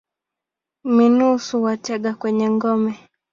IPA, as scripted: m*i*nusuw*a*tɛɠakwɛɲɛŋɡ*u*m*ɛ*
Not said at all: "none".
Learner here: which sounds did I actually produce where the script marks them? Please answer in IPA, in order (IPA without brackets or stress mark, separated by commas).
i, a, ɔ, ɛ